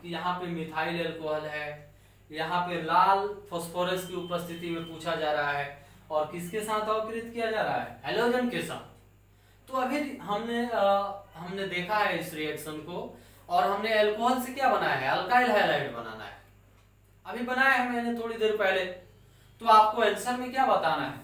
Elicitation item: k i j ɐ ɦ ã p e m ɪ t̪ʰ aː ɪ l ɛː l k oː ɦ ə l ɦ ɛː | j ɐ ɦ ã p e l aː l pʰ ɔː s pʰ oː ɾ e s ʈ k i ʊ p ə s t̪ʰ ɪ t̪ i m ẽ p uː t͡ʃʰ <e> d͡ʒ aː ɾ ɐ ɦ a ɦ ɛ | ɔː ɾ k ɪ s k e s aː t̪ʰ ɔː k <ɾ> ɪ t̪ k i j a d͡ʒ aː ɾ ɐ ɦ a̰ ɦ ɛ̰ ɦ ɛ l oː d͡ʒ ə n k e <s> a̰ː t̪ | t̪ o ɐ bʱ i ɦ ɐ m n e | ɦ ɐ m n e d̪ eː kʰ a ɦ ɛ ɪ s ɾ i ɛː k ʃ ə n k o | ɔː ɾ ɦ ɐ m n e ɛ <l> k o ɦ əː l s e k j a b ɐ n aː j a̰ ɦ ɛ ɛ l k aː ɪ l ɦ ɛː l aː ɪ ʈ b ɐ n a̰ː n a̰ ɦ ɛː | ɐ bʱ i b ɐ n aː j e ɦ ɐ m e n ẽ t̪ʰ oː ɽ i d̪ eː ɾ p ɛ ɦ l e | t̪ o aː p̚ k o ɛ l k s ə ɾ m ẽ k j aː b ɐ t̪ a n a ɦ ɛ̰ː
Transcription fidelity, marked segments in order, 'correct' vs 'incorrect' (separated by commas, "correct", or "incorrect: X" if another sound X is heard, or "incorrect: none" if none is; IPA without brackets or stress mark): incorrect: a, correct, correct, correct